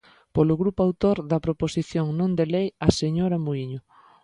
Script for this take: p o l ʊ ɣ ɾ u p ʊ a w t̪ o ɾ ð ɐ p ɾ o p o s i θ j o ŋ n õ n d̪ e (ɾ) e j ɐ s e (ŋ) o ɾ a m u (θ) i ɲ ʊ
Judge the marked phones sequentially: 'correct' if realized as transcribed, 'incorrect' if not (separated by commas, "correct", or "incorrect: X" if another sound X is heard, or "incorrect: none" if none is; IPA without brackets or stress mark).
incorrect: l, incorrect: ɲ, incorrect: none